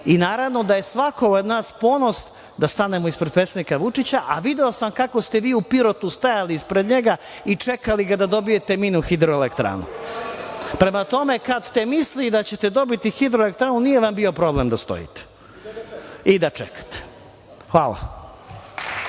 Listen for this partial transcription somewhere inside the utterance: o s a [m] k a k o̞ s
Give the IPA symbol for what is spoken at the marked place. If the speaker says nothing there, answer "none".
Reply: m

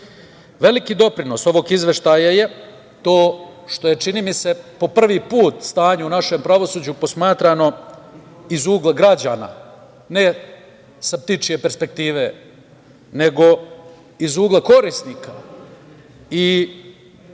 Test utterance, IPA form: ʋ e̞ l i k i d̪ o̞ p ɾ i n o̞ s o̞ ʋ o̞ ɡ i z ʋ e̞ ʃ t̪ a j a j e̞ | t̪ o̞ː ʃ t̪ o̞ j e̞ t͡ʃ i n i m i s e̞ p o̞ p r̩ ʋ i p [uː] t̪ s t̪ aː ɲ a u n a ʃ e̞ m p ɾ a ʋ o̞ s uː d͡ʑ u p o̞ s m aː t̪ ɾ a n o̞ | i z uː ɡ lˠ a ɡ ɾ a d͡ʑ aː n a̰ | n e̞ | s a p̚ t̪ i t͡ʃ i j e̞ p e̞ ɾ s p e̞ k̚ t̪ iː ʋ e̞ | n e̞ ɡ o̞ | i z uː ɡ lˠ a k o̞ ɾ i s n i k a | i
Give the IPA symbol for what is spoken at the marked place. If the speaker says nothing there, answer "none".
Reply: uː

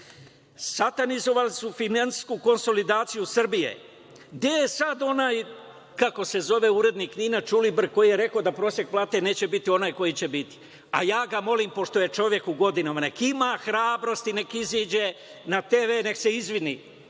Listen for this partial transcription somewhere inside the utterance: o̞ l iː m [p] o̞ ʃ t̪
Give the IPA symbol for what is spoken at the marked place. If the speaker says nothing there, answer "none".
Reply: p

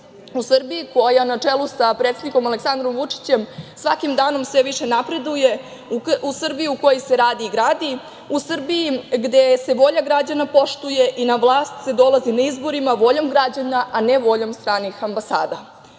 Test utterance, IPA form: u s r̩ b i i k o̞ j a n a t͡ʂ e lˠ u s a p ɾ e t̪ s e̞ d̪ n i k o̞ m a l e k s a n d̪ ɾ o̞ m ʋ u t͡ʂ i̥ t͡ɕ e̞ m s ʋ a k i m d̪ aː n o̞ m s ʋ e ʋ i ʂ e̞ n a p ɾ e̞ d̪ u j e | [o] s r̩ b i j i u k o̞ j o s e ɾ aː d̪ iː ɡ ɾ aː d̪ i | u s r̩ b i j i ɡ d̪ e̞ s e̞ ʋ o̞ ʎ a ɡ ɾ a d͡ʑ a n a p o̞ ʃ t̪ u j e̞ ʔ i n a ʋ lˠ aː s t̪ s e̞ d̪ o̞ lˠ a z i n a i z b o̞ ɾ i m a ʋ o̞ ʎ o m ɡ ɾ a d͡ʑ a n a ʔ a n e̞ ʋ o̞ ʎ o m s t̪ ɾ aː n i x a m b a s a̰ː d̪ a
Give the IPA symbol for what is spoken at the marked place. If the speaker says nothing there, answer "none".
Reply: u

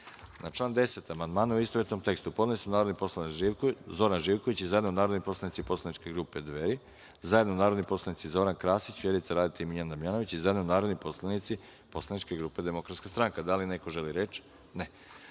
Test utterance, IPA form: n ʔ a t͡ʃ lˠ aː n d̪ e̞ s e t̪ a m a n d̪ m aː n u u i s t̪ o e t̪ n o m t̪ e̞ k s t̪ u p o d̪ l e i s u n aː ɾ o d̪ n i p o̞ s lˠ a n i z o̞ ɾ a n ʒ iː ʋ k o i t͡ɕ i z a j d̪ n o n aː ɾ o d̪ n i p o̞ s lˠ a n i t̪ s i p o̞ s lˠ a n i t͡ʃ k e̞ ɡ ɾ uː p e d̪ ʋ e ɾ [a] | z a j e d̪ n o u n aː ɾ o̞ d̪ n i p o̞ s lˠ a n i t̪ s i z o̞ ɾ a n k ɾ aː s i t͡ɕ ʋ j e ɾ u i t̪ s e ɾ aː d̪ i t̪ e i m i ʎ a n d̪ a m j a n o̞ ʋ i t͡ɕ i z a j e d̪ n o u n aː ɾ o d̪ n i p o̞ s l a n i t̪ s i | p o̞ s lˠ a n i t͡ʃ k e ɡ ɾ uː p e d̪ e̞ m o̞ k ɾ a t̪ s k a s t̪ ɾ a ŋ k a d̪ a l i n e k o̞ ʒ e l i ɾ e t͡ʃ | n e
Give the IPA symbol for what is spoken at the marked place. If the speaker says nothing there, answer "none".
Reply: i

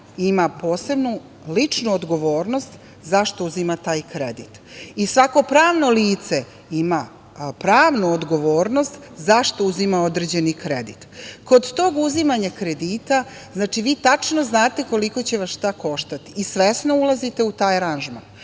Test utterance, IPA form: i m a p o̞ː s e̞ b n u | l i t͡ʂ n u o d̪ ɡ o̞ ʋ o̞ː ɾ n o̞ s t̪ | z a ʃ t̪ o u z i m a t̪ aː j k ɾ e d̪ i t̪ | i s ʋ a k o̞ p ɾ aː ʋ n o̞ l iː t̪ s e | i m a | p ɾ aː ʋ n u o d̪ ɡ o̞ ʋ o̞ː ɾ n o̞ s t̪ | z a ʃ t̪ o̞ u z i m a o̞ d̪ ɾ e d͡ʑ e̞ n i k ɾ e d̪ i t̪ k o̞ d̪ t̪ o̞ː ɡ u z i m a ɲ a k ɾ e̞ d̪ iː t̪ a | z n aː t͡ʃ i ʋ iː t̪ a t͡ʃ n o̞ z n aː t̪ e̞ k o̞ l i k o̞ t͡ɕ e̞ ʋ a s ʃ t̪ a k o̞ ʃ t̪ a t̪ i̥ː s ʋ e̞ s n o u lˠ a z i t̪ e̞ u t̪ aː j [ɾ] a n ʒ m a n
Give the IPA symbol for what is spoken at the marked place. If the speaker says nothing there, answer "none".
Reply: ɾ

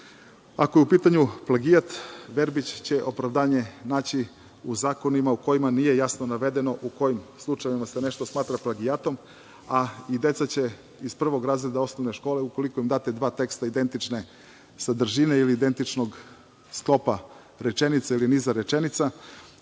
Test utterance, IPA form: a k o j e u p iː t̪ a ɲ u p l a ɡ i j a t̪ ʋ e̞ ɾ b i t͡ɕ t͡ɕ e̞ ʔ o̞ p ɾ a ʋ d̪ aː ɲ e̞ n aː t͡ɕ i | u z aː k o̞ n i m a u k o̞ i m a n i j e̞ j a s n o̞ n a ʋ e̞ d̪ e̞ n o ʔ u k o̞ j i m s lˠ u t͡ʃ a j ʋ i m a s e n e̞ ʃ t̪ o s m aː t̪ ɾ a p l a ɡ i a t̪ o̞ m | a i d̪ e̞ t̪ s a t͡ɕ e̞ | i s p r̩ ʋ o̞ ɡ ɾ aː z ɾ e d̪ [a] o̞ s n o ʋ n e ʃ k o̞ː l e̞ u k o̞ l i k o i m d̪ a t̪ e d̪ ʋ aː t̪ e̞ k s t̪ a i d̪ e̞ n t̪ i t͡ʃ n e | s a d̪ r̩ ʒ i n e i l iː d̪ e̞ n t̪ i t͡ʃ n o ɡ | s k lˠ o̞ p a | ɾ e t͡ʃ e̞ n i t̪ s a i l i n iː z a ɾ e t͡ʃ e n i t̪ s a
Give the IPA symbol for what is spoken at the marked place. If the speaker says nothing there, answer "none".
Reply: a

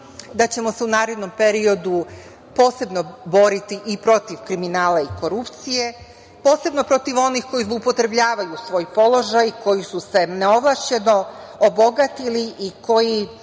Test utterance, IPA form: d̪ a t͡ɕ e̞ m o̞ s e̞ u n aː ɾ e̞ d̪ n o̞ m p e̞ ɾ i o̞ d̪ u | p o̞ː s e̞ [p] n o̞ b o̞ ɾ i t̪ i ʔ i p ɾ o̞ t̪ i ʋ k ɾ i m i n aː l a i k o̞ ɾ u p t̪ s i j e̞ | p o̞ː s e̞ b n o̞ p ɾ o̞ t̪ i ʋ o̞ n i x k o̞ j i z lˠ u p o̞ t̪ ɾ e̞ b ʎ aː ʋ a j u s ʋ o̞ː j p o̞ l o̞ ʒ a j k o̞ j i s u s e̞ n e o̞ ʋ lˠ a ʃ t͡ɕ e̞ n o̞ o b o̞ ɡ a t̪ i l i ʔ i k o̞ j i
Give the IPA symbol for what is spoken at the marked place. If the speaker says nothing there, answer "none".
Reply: b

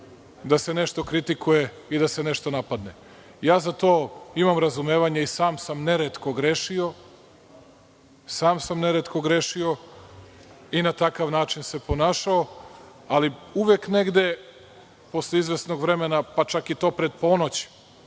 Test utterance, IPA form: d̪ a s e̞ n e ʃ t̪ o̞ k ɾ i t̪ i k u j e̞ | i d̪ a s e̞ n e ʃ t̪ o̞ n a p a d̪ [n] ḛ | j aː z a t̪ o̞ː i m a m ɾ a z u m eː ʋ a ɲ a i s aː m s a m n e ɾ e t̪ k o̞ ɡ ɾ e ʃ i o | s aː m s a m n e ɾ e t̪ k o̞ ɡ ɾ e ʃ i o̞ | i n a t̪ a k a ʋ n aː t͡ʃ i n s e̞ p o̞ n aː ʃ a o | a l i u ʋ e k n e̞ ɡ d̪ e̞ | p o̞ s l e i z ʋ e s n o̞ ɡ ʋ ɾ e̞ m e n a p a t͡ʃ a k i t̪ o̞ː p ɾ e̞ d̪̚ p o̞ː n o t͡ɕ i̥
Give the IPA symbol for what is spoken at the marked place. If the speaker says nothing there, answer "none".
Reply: n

